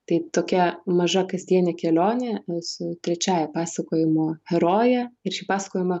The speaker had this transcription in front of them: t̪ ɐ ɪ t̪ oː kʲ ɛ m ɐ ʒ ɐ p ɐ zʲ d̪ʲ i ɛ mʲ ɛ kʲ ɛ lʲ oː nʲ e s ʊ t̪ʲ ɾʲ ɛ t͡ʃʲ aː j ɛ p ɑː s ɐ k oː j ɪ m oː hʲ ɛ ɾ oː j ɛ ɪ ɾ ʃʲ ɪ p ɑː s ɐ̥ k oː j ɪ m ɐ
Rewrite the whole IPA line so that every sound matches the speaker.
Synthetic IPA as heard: t̪ ɐ ɪ t̪ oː kʲ ɛ m ɐ ʒ ɐ k ɐ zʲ d̪ʲ i ɛ nʲ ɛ kʲ ɛ lʲ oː nʲ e s ʊ t̪ʲ ɾʲ ɛ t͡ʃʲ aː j ɛ p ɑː s ɐ k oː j ɪ m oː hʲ ɛ ɾ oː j ɛ ɪ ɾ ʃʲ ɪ p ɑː s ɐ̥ k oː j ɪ m ɐ